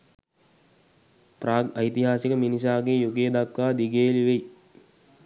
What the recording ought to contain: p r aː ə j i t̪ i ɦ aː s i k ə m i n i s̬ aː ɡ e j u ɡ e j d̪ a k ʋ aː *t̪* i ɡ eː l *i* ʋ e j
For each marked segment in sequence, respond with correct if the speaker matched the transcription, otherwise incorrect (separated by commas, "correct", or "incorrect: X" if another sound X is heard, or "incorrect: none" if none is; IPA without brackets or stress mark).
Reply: incorrect: d̪, correct